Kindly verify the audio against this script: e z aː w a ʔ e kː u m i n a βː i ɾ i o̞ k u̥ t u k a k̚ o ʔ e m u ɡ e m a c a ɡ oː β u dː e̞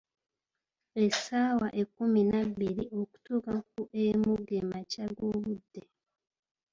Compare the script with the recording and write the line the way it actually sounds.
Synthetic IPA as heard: e s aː w a ʔ e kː u m i n a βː i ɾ i o̞ k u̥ t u k a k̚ u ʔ e m u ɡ e m a c a ɡ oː β u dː e̞